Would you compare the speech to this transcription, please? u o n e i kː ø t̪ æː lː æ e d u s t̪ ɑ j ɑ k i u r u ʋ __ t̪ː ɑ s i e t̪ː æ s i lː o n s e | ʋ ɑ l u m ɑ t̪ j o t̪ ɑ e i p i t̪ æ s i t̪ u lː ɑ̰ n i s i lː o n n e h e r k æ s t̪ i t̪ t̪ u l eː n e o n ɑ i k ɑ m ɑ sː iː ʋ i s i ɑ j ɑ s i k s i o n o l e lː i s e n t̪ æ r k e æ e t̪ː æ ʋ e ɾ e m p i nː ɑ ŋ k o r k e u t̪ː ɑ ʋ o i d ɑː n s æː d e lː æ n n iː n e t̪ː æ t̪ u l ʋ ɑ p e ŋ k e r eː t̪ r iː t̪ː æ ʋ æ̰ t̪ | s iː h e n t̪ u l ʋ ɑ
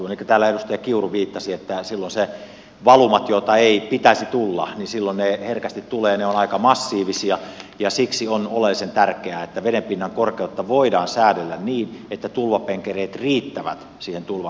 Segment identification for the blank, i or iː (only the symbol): iː